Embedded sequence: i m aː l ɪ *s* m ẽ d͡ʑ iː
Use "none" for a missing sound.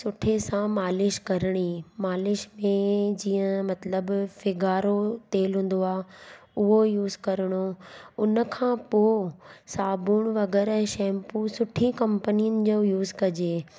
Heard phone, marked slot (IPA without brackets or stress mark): ʃ